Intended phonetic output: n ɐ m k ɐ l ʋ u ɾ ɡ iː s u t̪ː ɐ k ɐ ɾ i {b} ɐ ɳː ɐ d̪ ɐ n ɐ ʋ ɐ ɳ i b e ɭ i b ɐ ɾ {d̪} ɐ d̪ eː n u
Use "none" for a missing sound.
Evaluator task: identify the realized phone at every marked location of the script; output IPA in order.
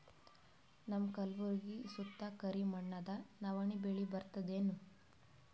m, t̪

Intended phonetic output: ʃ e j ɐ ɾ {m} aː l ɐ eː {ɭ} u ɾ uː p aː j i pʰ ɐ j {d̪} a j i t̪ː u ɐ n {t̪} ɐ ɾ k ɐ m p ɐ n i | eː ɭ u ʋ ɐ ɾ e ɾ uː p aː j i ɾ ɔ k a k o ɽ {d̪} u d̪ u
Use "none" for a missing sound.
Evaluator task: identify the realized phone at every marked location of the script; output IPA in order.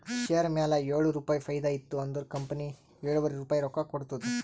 m, ɭ, d̪, d̪, t̪

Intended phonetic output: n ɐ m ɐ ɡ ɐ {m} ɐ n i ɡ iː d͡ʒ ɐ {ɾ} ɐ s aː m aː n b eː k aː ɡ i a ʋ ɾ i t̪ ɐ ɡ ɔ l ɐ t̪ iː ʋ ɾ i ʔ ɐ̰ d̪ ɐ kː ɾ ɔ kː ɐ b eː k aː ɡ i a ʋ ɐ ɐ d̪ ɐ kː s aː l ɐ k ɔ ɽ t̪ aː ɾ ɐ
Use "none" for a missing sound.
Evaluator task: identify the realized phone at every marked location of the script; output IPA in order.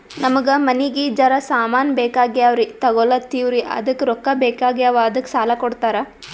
m, ɾ

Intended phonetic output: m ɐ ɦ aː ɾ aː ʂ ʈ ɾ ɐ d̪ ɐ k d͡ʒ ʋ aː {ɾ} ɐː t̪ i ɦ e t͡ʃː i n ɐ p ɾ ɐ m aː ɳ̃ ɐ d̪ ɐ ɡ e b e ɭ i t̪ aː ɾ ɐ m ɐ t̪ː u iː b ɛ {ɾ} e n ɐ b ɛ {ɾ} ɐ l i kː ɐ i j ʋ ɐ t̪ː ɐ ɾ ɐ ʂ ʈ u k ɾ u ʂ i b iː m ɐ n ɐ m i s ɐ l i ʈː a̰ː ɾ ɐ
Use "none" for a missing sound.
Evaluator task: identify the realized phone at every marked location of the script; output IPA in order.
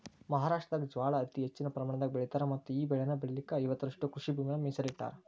ɭ, ɭ, ɭ

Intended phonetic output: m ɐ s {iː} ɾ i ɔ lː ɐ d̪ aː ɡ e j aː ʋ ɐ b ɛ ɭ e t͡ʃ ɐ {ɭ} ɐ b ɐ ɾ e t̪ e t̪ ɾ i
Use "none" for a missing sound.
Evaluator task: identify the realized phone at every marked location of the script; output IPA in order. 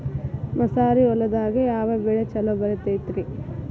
aː, l

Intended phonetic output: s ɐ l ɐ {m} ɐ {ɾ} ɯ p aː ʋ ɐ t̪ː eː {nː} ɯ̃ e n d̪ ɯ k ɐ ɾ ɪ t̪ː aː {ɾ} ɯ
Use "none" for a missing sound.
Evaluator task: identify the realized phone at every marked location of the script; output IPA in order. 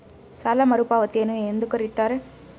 m, ɾ, n, ɾ

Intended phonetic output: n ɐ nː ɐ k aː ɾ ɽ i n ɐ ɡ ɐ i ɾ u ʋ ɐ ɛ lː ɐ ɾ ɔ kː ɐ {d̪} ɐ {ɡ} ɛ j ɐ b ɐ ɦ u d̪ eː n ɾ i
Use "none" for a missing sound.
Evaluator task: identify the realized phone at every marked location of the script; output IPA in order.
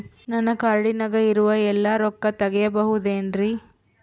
t̪, ɡ

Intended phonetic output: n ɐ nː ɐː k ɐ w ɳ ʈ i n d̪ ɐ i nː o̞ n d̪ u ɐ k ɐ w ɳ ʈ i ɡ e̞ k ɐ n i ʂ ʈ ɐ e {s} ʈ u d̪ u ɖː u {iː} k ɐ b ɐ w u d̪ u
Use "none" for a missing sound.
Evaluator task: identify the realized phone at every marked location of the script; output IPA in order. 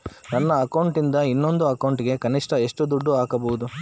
ʂ, aː

